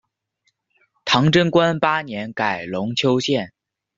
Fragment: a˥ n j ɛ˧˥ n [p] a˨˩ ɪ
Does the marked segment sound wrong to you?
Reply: yes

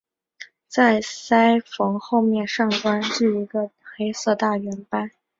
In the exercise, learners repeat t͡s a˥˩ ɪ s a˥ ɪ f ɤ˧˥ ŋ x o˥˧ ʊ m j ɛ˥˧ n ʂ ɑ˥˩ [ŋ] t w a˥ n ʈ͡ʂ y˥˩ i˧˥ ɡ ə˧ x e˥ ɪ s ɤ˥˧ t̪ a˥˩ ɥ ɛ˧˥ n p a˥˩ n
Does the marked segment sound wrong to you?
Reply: no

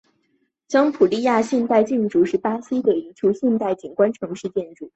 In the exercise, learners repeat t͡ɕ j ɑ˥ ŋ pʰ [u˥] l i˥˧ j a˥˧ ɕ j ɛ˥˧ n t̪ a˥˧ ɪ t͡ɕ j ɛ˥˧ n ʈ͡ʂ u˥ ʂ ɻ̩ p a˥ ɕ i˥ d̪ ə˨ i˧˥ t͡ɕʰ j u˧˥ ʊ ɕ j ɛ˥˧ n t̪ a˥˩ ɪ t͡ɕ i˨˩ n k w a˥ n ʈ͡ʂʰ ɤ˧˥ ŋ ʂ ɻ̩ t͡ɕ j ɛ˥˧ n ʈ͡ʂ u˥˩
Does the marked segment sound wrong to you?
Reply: yes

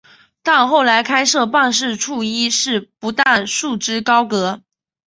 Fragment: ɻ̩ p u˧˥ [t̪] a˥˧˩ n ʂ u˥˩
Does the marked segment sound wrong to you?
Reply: no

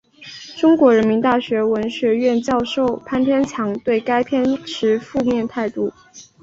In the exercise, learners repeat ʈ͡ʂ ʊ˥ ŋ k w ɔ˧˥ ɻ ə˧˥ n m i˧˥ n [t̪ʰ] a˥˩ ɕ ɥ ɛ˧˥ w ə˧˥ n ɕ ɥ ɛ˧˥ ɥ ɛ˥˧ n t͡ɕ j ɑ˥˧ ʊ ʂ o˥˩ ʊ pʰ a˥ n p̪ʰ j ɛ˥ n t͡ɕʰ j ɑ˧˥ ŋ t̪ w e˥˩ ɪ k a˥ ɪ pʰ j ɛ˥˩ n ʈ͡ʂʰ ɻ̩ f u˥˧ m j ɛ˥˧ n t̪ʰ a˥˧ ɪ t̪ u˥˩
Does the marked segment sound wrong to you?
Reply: yes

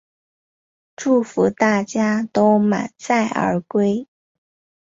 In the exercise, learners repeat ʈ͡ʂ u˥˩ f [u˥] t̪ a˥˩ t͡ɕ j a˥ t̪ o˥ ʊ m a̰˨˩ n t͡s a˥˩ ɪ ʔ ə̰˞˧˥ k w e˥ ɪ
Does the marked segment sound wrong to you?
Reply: yes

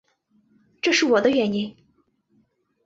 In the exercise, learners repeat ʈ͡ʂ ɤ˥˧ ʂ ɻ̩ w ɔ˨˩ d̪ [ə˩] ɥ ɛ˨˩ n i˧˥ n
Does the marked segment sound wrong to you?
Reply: yes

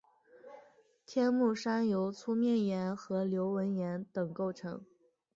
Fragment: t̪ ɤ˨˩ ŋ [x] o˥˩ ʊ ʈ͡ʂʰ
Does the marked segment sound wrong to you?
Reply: yes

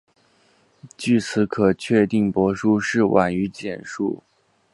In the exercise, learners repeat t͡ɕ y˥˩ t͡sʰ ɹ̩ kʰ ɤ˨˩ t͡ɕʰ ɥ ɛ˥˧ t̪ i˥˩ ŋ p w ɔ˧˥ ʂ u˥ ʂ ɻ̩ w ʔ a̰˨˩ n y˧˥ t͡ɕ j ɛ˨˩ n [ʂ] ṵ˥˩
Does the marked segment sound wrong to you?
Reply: no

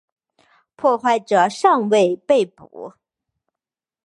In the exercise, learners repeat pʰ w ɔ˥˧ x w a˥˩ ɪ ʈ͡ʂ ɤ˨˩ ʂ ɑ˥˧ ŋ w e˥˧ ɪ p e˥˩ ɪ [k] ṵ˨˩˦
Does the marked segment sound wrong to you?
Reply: yes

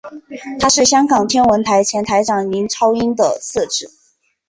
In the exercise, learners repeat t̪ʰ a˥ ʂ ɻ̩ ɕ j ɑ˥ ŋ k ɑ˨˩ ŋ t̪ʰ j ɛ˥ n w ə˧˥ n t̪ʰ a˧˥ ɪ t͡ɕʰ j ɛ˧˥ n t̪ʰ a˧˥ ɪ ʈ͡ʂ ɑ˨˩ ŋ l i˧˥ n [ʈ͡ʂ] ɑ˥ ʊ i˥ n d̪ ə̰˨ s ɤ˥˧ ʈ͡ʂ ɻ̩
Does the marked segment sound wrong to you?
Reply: yes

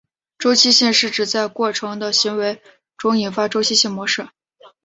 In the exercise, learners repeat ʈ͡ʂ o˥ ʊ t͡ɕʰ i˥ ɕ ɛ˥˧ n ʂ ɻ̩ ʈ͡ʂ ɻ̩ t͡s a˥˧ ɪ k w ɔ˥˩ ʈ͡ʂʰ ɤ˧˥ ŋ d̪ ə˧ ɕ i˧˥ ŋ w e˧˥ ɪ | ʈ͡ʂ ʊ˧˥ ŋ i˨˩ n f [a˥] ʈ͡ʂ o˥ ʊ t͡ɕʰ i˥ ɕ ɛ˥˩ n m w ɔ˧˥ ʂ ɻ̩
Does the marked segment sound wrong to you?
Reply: no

